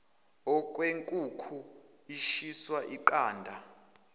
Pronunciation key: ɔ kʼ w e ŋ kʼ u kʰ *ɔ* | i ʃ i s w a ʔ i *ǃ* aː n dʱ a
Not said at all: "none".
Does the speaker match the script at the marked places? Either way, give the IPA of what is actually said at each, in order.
u, ǃ

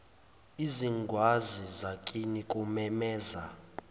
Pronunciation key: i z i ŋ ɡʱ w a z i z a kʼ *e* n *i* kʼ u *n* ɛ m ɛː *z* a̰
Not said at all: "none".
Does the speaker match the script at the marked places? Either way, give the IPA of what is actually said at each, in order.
i, i, m, z

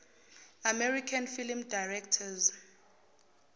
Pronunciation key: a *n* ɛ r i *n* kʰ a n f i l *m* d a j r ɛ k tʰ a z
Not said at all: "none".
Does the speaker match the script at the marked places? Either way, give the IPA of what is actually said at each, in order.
m, none, m

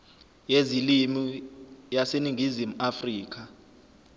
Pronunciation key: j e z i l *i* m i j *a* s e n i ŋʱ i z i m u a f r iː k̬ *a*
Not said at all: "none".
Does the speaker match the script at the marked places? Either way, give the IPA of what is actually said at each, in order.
i, a, a

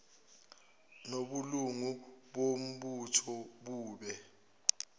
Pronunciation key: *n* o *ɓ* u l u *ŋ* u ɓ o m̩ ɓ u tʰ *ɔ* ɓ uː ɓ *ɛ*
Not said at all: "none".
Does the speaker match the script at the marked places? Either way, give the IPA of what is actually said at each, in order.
n, ɓ, ŋ, ɔ, ɛ

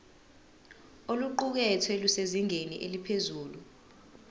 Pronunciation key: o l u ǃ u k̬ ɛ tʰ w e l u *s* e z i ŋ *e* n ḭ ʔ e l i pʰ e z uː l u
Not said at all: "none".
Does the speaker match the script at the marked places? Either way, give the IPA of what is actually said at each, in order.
s, e

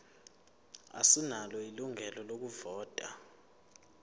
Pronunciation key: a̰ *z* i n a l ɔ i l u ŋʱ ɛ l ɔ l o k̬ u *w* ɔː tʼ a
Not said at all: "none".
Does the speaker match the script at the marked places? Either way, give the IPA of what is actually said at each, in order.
s, v

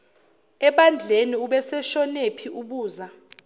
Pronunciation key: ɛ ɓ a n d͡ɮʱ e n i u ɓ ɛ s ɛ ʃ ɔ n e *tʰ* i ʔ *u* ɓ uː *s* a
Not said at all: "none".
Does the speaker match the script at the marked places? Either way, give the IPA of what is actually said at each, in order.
pʰ, u, z

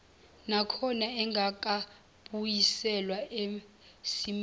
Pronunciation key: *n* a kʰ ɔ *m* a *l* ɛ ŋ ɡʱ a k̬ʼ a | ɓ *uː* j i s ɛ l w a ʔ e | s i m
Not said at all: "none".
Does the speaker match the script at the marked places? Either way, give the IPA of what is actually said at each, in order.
n, n, none, u

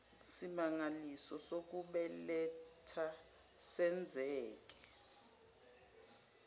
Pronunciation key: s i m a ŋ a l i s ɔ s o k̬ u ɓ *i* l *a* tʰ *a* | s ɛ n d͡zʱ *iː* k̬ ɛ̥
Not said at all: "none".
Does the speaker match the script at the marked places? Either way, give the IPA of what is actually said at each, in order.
ɛ, ɛ, a, ɛː

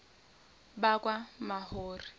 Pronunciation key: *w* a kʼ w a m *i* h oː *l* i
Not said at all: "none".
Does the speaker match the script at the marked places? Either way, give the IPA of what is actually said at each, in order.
b, a, r

